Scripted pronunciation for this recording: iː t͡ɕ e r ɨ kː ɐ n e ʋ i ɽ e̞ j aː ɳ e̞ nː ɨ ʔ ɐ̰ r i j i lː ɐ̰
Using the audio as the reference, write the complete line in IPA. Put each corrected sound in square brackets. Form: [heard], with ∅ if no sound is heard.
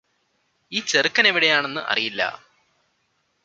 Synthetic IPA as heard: iː t͡ɕ e r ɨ kː ɐ n e ʋ i ɽ e̞ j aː ɳ e̞ nː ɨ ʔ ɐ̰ r i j i lː ɐ̰